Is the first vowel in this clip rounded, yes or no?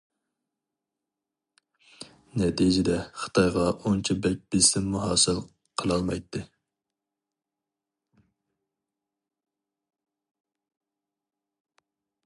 no